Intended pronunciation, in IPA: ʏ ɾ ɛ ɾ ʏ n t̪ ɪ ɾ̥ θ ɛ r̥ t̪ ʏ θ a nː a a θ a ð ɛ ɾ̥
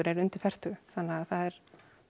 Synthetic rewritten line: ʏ ɾ ɛ ɾ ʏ n t̪ ɪ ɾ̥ f ɛ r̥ t̪ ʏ θ a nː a a θ a ð ɛ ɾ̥